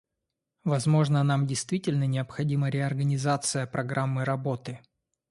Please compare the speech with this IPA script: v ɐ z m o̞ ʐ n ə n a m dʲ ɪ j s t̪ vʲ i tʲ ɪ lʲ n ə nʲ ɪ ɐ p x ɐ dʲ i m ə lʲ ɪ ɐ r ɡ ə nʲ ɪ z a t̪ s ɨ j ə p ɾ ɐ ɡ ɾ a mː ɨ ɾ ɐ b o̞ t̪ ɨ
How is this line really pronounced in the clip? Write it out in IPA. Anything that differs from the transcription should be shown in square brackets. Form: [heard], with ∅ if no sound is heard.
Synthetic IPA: v ɐ z m o̞ ʐ n ə n a m dʲ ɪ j s t̪ vʲ i tʲ ɪ lʲ n ə nʲ ɪ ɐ p x ɐ dʲ i m ə [ɾʲ] ɪ ɐ r ɡ ə nʲ ɪ z a t̪ s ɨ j ə p ɾ ɐ ɡ ɾ a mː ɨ ɾ ɐ b o̞ t̪ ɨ